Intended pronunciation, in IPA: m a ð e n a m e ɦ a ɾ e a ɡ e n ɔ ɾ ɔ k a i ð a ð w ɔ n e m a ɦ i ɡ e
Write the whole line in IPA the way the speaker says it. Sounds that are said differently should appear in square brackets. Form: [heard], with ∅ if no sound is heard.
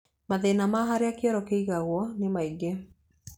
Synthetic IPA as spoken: m a ð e n a m [a] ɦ a ɾ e a [k] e [∅] ɔ ɾ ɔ k [e] i [ɣ] a [ɣ] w ɔ n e m a [∅] i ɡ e

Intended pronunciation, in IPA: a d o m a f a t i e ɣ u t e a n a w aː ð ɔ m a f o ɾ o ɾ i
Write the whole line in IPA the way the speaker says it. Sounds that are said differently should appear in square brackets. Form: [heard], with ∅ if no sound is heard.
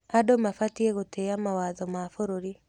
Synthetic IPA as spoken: a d o m a f a t i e ɣ [o] t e a [m] a w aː ð ɔ m a f o ɾ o ɾ i

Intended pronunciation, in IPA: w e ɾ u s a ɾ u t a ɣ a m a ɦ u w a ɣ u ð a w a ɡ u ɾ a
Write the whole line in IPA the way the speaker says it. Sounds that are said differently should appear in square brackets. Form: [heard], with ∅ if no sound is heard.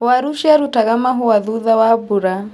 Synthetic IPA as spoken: w [a] ɾ u [ʃ] a ɾ u t a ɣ a m a ɦ u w a [ð] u ð a w a [b] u ɾ a

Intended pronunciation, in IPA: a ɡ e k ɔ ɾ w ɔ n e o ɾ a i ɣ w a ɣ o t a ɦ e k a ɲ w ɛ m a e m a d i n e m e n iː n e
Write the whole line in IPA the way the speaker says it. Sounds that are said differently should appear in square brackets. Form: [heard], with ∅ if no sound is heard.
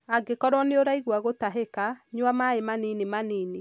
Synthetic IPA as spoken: a ɡ e k ɔ ɾ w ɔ n e o ɾ a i ɣ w a ɣ o t a ɦ e k a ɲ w [a] m a e m a [n] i n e m [a] n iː n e

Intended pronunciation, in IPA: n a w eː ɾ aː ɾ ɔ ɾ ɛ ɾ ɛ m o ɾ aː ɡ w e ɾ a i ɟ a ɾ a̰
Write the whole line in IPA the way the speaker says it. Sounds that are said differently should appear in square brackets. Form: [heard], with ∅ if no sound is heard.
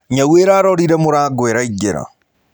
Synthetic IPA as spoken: [ɲ] a w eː ɾ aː ɾ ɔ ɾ [i] ɾ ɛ m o ɾ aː ɡ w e ɾ a i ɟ [e] ɾ a̰

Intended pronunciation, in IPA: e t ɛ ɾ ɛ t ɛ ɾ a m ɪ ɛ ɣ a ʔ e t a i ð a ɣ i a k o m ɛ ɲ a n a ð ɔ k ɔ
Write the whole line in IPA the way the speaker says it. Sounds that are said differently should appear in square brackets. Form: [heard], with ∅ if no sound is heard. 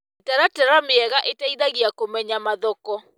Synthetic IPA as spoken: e t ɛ ɾ [a] t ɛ ɾ a m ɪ ɛ ɣ a ʔ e t a i ð a ɣ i a k o m ɛ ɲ a [m] a ð ɔ k ɔ

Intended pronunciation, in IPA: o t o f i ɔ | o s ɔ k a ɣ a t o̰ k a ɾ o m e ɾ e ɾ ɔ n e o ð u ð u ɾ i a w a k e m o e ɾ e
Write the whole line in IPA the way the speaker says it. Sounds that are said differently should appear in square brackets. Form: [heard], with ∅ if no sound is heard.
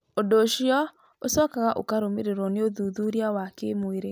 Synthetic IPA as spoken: o [d] o [ʃ] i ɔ | o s ɔ k a ɣ a [ʔ] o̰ k a ɾ o m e ɾ e ɾ ɔ n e o ð u ð u ɾ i a w a k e m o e ɾ e

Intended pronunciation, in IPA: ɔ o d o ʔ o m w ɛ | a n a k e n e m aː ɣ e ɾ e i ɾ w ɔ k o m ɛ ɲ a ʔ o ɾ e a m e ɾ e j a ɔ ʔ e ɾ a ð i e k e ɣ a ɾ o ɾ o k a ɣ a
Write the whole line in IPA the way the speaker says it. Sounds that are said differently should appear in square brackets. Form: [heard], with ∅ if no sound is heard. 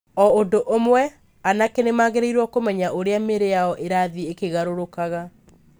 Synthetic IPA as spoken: ɔ o d o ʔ o m w ɛ | a n a k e n e m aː ɣ e ɾ e i ɾ w ɔ k o m ɛ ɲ a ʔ o ɾ e a m e ɾ e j a ɔ ʔ e ɾ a ð i e k e ɣ a ɾ o ɾ o k a ɣ a

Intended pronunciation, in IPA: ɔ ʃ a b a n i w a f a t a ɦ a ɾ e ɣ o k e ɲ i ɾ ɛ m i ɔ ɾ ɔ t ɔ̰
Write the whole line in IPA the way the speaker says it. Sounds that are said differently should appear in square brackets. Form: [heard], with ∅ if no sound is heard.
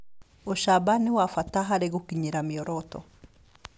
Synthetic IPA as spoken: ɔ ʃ a b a n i w a f a t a ɦ a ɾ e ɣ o k [i] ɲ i ɾ [a] m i ɔ ɾ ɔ t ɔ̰

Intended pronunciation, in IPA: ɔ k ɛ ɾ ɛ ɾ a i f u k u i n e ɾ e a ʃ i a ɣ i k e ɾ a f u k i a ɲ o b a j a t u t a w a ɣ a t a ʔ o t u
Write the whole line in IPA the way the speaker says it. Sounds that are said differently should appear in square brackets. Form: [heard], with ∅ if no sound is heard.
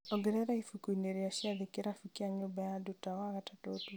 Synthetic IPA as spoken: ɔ [ɡ] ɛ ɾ ɛ ɾ a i f u k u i n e ɾ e a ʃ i a [ð] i k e ɾ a f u k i a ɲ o b a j a [d] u t a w a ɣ a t a [t] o t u

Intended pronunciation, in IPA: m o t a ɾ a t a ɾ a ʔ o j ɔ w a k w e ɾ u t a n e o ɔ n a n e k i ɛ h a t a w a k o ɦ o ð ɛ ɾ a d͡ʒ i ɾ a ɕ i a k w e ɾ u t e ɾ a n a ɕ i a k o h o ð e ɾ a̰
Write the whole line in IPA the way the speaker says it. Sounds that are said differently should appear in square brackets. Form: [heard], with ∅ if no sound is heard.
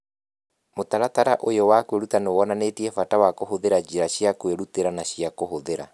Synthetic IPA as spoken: m o t a ɾ a t a ɾ a ʔ o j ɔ w a k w e ɾ u t a n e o ɔ n a n e [t] i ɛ [f] a t a w a k o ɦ o ð [e] ɾ a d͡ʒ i ɾ a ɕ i a k w e ɾ u t e ɾ a n a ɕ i a k o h o ð e ɾ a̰

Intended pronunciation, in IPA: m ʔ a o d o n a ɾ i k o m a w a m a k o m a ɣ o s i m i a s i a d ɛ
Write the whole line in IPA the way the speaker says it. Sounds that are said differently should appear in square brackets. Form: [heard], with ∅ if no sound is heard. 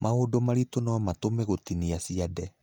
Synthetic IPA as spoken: m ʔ a o d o [m] a ɾ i [t] o [n] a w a m a [t] o m [e] ɣ o [t] i [n] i a s i a d ɛ

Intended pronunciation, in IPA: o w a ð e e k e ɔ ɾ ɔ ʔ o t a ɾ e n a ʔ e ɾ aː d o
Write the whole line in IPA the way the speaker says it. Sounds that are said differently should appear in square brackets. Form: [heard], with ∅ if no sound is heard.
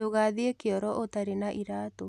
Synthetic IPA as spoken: o [ɣ] a ð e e k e ɔ ɾ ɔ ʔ o t a ɾ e n a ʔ [i] ɾ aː [t] o

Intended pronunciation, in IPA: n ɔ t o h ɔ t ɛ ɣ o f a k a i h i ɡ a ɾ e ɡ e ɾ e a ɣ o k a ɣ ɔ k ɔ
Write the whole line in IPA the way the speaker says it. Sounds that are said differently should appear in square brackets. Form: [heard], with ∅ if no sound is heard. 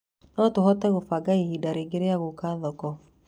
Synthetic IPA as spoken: n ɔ t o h ɔ t ɛ ɣ o f a [ɡ] a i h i [d] a ɾ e ɡ e ɾ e a ɣ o k a [ð] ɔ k ɔ

